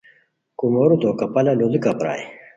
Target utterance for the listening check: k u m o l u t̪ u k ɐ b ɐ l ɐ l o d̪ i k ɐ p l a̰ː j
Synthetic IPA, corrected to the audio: k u m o ɾ u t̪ o k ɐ p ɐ l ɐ l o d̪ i k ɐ p ɾ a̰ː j